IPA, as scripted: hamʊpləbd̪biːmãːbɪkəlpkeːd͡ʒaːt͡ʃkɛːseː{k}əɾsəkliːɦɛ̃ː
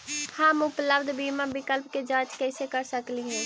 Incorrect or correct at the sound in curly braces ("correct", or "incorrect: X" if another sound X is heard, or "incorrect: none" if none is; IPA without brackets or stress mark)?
correct